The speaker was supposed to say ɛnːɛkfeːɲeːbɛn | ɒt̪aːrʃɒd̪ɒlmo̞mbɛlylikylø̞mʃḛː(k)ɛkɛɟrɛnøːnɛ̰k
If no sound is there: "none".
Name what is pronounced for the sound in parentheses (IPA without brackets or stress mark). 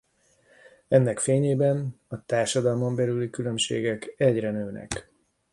ɡ